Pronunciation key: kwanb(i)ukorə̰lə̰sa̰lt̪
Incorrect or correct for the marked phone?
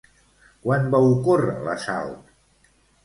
incorrect: a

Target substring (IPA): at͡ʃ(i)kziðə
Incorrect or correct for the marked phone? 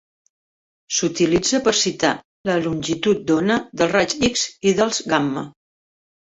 correct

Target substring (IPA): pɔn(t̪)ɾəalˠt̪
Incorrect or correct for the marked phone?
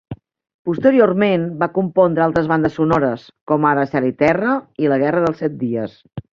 incorrect: d̪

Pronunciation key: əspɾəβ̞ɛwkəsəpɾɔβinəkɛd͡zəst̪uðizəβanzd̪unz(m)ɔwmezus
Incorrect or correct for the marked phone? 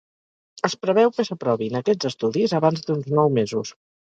incorrect: n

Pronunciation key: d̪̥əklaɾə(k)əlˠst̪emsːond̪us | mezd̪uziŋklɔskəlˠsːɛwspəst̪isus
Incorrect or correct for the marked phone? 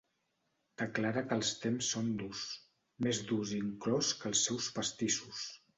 correct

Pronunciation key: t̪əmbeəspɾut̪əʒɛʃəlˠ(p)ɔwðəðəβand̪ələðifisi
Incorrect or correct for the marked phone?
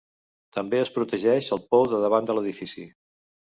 correct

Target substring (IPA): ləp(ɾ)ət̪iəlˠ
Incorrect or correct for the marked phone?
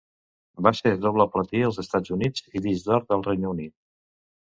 incorrect: l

